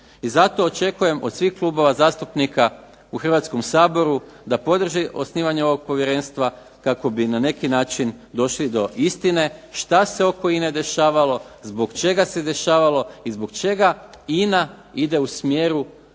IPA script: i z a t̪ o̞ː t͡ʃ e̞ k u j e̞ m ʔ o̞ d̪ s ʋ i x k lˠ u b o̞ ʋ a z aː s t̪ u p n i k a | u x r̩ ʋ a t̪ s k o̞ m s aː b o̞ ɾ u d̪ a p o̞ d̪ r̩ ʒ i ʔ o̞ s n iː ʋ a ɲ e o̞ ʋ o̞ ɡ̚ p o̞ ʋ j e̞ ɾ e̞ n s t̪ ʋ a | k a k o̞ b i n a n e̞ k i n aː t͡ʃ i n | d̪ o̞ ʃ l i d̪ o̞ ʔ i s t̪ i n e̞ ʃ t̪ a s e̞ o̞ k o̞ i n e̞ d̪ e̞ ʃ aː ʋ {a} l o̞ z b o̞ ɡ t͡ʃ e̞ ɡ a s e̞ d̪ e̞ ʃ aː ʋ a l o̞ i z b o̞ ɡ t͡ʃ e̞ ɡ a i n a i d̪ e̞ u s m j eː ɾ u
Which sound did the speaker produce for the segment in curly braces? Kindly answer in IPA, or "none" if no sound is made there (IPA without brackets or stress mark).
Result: a